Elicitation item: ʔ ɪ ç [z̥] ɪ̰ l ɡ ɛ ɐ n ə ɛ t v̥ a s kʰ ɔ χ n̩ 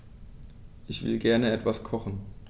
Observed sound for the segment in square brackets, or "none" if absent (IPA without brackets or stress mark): v̥